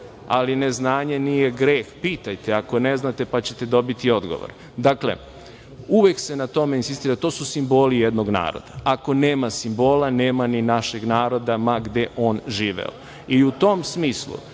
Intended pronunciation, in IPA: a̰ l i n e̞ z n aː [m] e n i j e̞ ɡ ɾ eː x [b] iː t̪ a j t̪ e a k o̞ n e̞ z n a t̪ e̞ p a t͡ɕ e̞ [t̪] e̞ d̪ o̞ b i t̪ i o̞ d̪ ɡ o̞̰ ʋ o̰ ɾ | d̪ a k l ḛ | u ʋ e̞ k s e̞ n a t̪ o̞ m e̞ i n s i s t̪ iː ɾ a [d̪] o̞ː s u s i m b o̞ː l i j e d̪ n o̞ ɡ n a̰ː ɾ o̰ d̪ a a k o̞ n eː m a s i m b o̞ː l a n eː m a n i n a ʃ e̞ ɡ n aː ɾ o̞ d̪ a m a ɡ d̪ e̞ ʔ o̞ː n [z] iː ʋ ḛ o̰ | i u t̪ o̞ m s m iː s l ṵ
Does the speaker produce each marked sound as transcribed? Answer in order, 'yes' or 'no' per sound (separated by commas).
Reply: no, no, yes, no, no